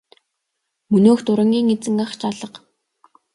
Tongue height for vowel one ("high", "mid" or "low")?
mid